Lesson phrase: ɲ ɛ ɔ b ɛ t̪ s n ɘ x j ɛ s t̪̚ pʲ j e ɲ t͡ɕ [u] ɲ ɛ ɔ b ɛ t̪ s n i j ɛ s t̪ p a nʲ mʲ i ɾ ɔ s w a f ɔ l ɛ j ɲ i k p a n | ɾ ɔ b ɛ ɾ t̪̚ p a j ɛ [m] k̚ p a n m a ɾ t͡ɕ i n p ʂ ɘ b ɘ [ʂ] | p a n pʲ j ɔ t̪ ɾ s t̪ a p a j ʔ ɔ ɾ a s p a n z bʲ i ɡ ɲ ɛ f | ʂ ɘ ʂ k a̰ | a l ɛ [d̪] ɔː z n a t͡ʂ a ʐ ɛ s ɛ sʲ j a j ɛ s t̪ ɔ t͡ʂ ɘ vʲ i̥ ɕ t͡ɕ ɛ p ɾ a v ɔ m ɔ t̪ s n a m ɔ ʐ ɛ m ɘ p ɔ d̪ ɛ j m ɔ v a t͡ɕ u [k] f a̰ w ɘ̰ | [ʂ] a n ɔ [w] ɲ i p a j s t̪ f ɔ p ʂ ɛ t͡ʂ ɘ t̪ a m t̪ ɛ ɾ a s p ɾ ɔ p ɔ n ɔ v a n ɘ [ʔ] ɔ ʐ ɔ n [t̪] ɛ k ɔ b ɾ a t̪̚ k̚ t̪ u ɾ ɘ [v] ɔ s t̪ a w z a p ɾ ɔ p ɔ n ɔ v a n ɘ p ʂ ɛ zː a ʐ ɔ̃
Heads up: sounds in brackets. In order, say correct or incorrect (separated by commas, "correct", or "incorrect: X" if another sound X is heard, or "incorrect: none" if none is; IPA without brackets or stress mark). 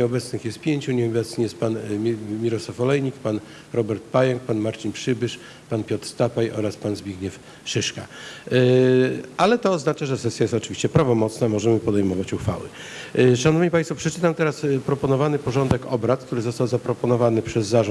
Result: correct, incorrect: ŋ, correct, incorrect: t̪, incorrect: x, correct, incorrect: v, incorrect: p, incorrect: d̪, incorrect: z